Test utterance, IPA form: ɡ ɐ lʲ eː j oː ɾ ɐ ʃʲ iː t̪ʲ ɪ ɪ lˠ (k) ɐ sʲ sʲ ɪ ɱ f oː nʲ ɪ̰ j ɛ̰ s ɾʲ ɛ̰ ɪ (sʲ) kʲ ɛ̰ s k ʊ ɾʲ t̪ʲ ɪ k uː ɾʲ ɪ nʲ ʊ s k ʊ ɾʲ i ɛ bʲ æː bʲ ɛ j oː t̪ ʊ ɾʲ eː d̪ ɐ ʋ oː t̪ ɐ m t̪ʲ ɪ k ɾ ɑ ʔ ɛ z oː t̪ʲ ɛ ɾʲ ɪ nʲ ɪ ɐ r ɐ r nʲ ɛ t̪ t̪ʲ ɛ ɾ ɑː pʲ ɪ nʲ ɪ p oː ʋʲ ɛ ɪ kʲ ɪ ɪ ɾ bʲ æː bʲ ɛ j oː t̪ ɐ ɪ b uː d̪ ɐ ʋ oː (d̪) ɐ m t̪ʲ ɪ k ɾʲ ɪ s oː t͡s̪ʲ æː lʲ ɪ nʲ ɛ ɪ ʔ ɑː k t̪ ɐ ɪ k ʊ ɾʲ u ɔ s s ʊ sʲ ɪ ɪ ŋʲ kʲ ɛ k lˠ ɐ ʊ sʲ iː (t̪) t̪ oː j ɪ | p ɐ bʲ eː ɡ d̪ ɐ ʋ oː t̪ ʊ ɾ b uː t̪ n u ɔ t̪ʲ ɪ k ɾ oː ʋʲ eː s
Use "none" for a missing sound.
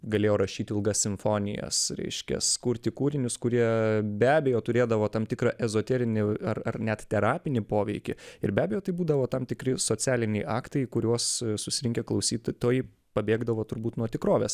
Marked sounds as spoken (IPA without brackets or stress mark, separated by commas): ɡ, ʃʲ, t̪, t̪